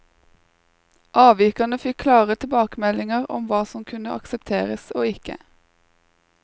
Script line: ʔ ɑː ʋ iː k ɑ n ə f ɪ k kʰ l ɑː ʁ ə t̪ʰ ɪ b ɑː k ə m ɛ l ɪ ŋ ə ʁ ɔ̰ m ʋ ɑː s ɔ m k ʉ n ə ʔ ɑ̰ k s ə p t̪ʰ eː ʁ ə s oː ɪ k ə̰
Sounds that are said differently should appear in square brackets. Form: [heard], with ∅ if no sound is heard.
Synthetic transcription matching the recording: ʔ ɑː ʋ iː k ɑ n ə f ɪ k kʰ l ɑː ʁ ə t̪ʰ ɪ b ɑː k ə m ɛ l ɪ ŋ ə ʁ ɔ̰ m ʋ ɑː s ɔ m [kʰ] ʉ n ə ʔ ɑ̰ k s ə p t̪ʰ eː ʁ ə s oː ɪ k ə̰